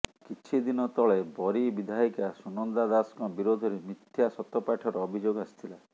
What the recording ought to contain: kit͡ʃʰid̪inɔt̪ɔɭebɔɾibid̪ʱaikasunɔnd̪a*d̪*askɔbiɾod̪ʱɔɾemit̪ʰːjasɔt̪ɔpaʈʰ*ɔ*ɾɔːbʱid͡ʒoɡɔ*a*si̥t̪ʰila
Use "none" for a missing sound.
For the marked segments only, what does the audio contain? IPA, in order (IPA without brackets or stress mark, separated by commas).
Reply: d̪, ɔ, a